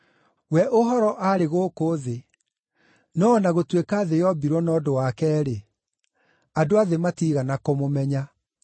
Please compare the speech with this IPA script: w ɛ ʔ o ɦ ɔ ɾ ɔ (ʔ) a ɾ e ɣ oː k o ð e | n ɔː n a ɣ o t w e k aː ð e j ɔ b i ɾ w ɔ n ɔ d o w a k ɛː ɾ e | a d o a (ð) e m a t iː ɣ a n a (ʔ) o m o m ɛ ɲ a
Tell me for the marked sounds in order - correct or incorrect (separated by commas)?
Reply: correct, correct, incorrect